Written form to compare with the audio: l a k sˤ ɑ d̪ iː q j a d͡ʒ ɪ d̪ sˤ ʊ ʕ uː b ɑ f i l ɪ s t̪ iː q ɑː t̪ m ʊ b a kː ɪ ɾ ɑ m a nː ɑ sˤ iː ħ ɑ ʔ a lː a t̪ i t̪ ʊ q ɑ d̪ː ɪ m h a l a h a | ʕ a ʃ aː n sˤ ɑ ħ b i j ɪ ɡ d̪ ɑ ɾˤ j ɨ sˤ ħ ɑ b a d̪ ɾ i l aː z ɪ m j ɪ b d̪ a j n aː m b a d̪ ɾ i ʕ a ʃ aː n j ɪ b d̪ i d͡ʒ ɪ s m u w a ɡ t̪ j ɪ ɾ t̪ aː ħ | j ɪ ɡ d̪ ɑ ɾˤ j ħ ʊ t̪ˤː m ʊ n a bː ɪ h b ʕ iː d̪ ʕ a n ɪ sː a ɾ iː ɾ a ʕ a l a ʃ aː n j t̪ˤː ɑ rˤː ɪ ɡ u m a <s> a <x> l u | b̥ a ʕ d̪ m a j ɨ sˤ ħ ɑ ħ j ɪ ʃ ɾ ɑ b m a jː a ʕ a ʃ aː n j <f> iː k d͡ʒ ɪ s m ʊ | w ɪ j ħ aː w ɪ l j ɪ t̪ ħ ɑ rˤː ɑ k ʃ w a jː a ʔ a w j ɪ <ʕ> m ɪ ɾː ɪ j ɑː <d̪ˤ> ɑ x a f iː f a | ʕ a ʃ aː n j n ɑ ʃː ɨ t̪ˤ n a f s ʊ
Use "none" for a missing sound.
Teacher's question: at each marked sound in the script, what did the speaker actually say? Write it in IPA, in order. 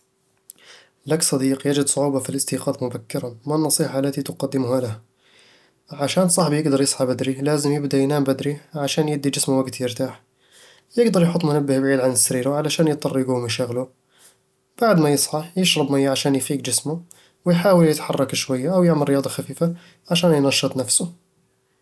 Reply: ʃ, ɣ, f, ʕ, d̪ˤ

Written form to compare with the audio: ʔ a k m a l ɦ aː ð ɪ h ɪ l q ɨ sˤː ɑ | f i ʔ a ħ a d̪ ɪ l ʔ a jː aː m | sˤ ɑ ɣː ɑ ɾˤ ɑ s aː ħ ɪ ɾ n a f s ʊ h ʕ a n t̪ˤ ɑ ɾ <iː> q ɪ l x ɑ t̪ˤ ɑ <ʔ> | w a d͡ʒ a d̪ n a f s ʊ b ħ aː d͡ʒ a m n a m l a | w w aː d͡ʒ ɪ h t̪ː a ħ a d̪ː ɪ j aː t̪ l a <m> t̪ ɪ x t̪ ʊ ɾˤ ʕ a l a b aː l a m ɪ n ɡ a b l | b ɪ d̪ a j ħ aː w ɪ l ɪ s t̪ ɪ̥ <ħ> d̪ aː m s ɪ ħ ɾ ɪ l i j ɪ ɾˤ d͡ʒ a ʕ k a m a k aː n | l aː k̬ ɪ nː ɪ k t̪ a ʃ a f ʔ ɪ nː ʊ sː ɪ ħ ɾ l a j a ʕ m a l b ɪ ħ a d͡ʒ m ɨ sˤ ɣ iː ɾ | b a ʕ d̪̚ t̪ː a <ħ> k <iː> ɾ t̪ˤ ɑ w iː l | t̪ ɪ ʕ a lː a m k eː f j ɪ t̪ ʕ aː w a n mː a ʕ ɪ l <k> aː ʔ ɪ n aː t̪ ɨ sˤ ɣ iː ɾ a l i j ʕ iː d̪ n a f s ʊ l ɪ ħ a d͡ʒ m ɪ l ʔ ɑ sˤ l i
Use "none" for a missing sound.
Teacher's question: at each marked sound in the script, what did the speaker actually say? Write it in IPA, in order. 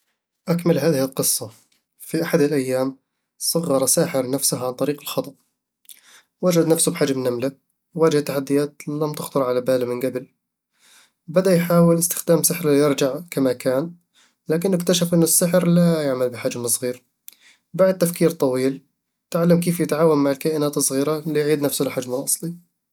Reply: iː, ʔ, m, x, f, iː, k

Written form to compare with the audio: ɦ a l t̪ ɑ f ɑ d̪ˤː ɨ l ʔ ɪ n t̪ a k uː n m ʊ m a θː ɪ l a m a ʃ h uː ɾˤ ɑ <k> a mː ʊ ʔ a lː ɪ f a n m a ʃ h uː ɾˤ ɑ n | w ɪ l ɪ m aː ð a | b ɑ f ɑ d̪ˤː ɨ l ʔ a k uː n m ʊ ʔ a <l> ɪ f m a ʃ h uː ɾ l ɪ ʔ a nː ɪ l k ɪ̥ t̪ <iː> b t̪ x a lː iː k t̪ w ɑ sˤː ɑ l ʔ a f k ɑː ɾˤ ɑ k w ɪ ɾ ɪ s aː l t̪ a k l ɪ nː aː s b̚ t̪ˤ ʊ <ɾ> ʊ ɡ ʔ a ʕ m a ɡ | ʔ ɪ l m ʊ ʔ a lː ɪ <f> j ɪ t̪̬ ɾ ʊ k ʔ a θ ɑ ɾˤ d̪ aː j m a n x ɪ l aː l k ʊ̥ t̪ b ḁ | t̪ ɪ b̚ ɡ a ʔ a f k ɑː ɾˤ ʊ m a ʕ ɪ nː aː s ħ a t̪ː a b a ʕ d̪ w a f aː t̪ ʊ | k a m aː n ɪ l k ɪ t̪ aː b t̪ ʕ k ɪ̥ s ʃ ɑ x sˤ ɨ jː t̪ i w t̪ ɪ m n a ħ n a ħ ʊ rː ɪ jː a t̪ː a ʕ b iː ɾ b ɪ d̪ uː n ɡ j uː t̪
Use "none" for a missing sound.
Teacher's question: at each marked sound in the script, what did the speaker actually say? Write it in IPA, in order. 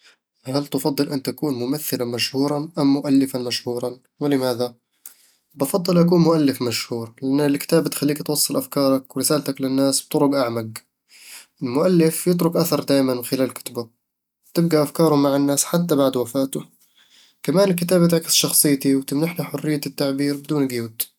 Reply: ʔ, lː, aː, ɾ, f

